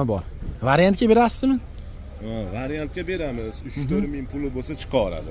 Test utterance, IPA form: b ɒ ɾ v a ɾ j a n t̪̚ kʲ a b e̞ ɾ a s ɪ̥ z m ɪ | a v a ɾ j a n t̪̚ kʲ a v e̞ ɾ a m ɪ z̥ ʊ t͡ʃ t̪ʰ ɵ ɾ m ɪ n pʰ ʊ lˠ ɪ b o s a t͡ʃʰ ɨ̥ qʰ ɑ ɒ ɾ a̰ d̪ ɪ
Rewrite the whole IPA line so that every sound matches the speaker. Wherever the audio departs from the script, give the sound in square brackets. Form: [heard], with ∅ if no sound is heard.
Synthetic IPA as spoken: b ɒ ɾ v a ɾ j a n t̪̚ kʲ a b e̞ ɾ a s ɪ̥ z m ɪ | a v a ɾ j a n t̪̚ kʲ a [b] e̞ ɾ a m ɪ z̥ ʊ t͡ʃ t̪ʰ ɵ ɾ m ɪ [ŋ] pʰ ʊ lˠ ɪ b o s a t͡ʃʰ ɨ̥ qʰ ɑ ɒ ɾ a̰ d̪ ɪ

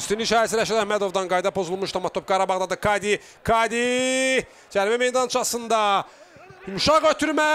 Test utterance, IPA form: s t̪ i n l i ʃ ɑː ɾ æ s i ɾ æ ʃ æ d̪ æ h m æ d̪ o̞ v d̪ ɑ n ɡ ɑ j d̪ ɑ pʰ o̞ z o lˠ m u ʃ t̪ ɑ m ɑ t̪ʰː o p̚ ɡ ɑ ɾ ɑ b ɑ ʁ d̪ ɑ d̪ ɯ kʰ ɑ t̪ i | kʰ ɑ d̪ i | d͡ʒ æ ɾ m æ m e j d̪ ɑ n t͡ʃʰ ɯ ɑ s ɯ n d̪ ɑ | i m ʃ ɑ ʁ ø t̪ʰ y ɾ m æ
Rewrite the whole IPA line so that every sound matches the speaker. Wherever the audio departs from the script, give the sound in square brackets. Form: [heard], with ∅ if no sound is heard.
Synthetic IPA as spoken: s t̪ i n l i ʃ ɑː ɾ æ s i ɾ æ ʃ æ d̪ æ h m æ d̪ o̞ v d̪ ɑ n ɡ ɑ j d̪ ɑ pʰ o̞ z [u] lˠ m u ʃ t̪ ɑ m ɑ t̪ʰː o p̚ ɡ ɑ ɾ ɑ b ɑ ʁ d̪ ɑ d̪ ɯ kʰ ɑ [d̪] i | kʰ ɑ d̪ i | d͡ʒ æ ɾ m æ m e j d̪ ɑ n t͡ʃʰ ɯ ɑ s ɯ n d̪ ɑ | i m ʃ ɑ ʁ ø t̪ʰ y ɾ m æ

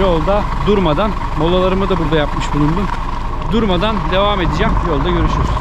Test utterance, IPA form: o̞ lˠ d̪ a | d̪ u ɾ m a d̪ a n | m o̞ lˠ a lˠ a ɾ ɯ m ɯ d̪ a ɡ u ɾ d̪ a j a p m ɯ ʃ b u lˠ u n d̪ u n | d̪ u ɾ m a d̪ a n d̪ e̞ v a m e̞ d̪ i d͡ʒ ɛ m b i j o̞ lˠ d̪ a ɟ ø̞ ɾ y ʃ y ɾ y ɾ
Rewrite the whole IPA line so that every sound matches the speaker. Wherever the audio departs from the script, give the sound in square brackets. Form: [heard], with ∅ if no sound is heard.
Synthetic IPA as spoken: o̞ lˠ d̪ a | d̪ u ɾ m a d̪ a n | m o̞ lˠ a lˠ a ɾ ɯ m ɯ d̪ a [b] u ɾ d̪ a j a p m ɯ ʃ b u lˠ u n d̪ u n | d̪ u ɾ m a d̪ a n d̪ e̞ v a m e̞ d̪ i d͡ʒ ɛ m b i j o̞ lˠ d̪ a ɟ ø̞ ɾ y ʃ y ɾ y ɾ

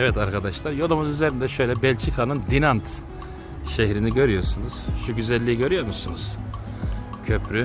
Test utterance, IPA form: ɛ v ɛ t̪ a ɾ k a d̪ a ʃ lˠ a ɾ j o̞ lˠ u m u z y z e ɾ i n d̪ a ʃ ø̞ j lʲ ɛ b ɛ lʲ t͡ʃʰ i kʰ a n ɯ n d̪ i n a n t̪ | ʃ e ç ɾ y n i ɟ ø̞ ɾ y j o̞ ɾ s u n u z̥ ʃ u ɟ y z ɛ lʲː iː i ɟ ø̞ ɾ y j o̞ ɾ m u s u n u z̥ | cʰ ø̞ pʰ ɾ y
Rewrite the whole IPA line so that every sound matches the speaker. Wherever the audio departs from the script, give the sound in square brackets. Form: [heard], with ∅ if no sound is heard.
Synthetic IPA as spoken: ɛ v ɛ t̪ a ɾ k a d̪ a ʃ lˠ a ɾ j o̞ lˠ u m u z y z e ɾ i n d̪ [ɛ] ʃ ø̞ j lʲ ɛ b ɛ lʲ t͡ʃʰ i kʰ a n ɯ n d̪ i n a n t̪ | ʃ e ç ɾ [i] n i ɟ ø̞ ɾ y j o̞ ɾ s u n u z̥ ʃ u ɟ y z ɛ lʲː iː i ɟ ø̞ ɾ y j o̞ ɾ m u s u n u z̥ | cʰ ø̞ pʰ ɾ y

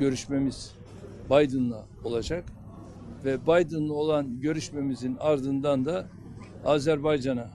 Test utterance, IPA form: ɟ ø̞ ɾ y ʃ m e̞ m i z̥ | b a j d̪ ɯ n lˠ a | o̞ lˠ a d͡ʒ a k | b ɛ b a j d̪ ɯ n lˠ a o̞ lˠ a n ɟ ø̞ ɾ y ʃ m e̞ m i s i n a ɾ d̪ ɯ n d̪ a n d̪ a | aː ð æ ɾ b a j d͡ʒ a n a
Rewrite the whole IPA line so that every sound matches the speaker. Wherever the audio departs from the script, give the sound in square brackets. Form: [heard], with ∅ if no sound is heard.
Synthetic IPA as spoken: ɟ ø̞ ɾ y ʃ m e̞ m i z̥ | b a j d̪ ɯ n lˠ a | o̞ lˠ a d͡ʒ a k | [v] ɛ b a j d̪ ɯ n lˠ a o̞ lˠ a n ɟ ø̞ ɾ y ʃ m e̞ m i [z] i n a ɾ d̪ ɯ n d̪ a n d̪ a | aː [z] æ ɾ b a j d͡ʒ a n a

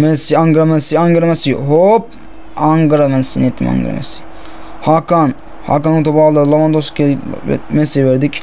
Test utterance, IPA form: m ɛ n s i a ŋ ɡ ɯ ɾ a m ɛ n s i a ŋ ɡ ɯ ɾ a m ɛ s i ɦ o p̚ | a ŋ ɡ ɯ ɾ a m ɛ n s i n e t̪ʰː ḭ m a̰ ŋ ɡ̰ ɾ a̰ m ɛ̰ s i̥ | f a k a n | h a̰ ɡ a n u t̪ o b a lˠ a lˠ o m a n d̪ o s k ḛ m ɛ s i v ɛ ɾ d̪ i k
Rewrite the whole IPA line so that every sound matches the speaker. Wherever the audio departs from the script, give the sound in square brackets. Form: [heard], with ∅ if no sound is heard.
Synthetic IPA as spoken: m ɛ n s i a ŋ ɡ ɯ ɾ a m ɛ n s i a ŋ ɡ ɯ ɾ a m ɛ s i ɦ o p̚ | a ŋ ɡ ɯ ɾ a m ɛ n s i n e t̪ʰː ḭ m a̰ ŋ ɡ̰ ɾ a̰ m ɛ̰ s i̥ | [h] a k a n | h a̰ [k] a n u t̪ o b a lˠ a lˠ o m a n d̪ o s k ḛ m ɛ s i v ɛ ɾ d̪ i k

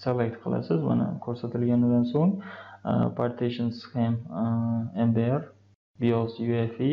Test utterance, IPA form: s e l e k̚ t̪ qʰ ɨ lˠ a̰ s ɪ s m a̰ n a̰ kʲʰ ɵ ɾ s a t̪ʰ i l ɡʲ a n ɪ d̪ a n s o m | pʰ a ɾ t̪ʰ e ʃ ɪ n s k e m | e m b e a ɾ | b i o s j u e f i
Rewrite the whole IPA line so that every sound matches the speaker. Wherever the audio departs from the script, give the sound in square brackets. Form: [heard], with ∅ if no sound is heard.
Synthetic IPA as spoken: s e l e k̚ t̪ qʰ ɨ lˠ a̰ s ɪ [z] m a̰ n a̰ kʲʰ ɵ ɾ s a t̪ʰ [ɪ] l ɡʲ a n ɪ d̪ a n s o [ŋ] | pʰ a ɾ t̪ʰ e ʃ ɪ n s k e m | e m b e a ɾ | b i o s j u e f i

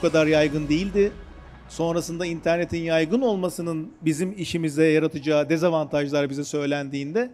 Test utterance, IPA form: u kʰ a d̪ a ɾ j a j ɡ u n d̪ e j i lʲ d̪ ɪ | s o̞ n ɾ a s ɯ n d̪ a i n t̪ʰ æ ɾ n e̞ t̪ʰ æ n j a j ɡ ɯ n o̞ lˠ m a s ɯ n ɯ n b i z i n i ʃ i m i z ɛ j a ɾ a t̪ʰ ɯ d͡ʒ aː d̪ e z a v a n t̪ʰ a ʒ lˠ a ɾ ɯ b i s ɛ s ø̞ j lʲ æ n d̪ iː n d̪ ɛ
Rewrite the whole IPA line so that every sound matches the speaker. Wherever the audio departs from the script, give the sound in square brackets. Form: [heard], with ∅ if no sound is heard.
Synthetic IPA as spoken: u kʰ a d̪ a ɾ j a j ɡ [ɯ] n d̪ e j i lʲ d̪ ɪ | s o̞ n ɾ a s ɯ n d̪ a i n t̪ʰ æ ɾ n e̞ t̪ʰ [i] n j a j ɡ ɯ n o̞ lˠ m a s ɯ n ɯ n b i z i [m] i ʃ i m i z ɛ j a ɾ a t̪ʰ ɯ d͡ʒ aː d̪ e z a v a n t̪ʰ a ʒ lˠ a ɾ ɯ b i [z] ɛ s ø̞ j lʲ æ n d̪ iː n d̪ ɛ

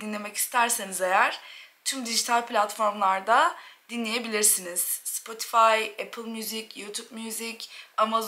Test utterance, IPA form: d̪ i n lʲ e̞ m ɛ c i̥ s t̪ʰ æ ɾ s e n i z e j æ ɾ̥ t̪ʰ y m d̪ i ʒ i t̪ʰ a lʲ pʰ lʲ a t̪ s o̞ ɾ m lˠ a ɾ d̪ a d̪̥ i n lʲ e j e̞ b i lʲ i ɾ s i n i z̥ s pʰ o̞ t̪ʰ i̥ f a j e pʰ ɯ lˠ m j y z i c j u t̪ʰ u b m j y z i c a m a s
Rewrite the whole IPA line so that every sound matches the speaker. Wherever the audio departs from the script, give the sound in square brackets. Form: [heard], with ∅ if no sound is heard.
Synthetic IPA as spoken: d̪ i n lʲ e̞ m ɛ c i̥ s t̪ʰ æ ɾ s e n i z e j æ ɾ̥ t̪ʰ y m d̪ i ʒ i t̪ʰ a lʲ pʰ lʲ a t̪ [f] o̞ ɾ m lˠ a ɾ d̪ a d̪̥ i n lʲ e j e̞ b i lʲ i ɾ s i n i z̥ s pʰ o̞ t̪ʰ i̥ f a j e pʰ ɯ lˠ m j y z i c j u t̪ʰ u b m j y z i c a m a [z]

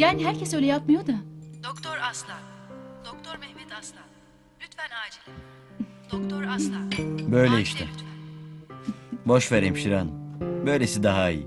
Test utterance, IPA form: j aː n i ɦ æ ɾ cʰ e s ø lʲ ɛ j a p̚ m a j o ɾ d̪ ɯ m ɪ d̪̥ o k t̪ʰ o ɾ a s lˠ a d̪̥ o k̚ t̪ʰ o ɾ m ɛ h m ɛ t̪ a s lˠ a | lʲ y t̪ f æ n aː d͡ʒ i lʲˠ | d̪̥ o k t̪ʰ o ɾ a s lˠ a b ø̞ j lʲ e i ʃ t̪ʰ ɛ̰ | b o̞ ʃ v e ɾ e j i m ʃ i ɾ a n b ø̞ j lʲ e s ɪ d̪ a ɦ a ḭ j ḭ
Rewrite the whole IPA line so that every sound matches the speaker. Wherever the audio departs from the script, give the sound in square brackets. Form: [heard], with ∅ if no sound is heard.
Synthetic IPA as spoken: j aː n i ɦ æ ɾ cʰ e s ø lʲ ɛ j a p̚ m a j o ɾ d̪ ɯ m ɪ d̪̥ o k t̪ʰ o ɾ a s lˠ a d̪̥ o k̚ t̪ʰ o ɾ m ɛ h m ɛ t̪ a s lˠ a | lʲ y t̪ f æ n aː d͡ʒ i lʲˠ | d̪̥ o k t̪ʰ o ɾ a s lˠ a b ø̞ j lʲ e i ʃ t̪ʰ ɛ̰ | b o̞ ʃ v e ɾ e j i m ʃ i ɾ a n b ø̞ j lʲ e s [i] d̪ a ɦ a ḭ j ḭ

